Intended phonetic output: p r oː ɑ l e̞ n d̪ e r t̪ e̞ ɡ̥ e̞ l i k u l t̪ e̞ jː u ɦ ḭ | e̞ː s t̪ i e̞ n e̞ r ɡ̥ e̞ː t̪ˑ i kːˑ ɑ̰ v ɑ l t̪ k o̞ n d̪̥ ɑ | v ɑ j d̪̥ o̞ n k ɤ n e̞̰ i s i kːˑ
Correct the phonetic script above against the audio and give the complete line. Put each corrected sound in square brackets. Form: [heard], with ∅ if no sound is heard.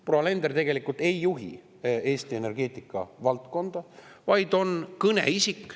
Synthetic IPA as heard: p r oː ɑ l e̞ n d̪ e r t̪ e̞ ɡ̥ e̞ l i k u l t̪ e̞ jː u ɦ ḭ | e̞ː s t̪ i e̞ n e̞ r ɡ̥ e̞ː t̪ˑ i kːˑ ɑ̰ v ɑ l t̪ k o̞ n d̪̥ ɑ | v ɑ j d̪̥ o̞ n k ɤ n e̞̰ i s i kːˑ